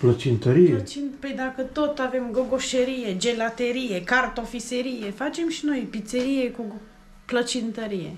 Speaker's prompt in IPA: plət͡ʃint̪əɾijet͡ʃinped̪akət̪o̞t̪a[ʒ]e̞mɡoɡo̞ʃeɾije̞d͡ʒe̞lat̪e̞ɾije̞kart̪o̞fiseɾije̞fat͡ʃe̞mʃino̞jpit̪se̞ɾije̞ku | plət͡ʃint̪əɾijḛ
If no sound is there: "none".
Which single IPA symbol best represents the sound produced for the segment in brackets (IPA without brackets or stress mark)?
v